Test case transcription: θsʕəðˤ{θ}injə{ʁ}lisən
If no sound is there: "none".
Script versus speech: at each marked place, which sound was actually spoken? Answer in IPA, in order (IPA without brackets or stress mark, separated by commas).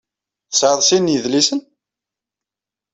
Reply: s, ð